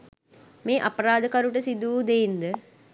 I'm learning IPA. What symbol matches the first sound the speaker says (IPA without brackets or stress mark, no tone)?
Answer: m